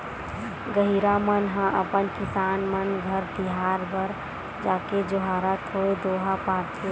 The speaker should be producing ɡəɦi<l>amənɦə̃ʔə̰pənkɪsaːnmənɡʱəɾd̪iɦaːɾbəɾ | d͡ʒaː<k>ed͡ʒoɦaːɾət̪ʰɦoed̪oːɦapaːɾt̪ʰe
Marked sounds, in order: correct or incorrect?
incorrect: ɾ, correct

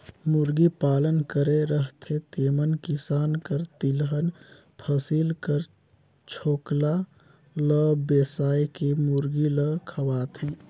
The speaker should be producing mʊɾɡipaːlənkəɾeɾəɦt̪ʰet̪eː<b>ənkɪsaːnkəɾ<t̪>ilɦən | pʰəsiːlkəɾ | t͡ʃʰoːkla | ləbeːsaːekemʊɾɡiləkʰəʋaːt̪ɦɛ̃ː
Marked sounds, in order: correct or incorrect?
incorrect: m, correct

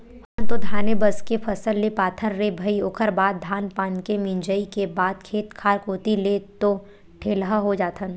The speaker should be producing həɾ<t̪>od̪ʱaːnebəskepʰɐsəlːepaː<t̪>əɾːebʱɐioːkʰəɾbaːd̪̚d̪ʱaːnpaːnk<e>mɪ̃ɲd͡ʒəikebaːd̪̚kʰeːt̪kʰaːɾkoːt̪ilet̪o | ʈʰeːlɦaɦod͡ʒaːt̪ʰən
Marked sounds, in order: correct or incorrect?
correct, incorrect: t̪ʰ, correct

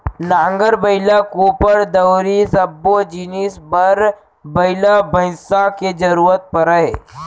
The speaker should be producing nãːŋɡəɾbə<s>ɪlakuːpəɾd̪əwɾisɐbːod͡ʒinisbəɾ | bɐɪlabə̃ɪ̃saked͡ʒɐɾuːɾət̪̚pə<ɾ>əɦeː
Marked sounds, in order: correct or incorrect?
incorrect: none, correct

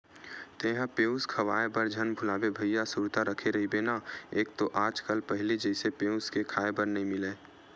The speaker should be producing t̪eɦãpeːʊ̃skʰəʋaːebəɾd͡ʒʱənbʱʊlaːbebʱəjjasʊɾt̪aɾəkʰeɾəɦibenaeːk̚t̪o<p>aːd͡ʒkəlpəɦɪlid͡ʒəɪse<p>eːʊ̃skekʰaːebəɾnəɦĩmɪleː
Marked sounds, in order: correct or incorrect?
incorrect: ʔ, correct

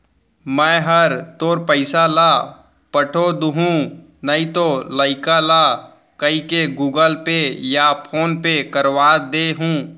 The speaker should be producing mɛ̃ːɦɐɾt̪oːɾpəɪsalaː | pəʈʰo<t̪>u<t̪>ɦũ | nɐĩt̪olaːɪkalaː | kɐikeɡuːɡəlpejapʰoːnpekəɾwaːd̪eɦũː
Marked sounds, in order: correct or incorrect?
incorrect: d̪, incorrect: none

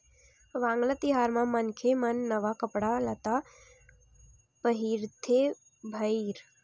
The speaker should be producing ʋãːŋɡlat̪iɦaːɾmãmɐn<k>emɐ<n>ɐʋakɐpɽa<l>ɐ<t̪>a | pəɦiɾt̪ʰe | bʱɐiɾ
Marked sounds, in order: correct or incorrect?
incorrect: kʰ, incorrect: nː, correct, correct

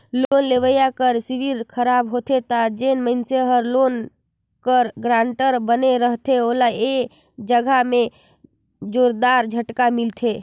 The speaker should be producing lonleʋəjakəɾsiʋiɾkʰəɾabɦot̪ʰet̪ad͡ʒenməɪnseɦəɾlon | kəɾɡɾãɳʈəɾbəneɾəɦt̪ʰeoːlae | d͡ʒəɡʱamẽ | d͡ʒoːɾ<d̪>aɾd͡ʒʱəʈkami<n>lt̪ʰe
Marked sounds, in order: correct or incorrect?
correct, incorrect: none

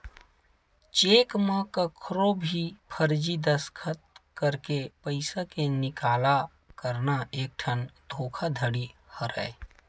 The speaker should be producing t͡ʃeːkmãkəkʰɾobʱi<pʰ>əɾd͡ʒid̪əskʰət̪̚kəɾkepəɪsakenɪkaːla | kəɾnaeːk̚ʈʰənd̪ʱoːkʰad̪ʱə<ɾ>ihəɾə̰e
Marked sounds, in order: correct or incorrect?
correct, incorrect: ɽ

